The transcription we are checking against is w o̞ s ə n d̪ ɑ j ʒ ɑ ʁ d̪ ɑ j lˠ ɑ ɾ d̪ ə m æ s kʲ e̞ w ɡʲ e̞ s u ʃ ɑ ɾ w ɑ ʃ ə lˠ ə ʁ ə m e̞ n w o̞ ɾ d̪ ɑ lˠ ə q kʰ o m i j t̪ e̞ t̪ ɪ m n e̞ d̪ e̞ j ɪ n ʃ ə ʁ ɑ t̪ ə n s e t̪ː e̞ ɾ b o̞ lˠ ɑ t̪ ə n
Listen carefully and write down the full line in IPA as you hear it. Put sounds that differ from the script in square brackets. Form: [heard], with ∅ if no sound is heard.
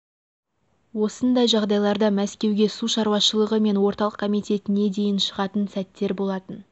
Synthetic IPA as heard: w o̞ s ə n d̪ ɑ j ʒ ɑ ʁ d̪ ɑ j lˠ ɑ ɾ d̪ [ɑ] m æ s kʲ e̞ w ɡʲ e̞ s u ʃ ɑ ɾ w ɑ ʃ ə lˠ ə ʁ ə m e̞ n w o̞ ɾ [t̪] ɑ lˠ ə q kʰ o m i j t̪ e̞ t̪ ɪ [∅] n e̞ d̪ e̞ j ɪ n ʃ ə ʁ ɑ t̪ ə n s [æ] t̪ː e̞ ɾ b o̞ lˠ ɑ t̪ ə n